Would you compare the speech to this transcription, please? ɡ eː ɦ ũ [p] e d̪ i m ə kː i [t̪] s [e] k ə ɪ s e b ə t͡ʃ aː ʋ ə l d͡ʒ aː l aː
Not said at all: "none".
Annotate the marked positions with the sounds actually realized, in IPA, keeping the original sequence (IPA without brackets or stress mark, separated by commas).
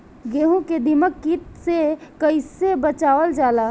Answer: k, t̪, e